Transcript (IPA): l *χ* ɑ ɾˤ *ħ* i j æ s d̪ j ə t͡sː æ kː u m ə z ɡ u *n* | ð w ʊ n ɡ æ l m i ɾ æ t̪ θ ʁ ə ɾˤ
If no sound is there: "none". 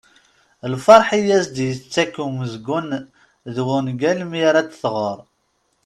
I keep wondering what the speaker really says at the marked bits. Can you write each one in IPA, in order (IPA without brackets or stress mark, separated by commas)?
f, ħ, n